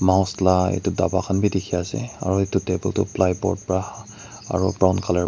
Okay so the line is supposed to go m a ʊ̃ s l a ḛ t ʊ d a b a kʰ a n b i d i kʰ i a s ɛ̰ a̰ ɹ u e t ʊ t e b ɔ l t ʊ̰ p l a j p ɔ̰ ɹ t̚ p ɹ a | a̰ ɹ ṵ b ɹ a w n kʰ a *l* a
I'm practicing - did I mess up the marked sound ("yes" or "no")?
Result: no